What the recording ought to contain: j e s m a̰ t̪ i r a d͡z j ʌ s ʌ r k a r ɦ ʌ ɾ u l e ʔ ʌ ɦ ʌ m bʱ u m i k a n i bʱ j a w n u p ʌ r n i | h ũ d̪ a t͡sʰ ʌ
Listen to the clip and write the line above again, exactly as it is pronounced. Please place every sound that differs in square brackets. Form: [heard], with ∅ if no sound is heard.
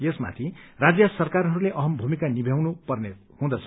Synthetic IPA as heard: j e s m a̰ [t̪ʰ] i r a d͡z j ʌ s ʌ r k a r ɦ ʌ ɾ u l e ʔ ʌ ɦ ʌ m bʱ u m i k a n i bʱ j a w n u p ʌ r n [e] | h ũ d̪ [ʌ] t͡sʰ ʌ